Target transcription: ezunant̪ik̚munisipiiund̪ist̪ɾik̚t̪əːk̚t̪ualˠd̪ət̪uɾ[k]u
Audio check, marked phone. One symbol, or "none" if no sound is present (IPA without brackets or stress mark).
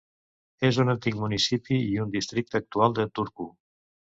k